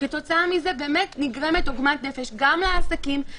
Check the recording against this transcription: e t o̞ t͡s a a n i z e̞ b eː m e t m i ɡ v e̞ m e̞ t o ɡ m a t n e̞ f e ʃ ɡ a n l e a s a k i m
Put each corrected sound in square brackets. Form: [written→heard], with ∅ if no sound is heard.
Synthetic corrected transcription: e t o̞ t͡s a a [n→m] i z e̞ b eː m e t [m→n] i ɡ [v→ʁ] e̞ m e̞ t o ɡ m a t n e̞ f e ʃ ɡ a [n→m] l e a s a k i m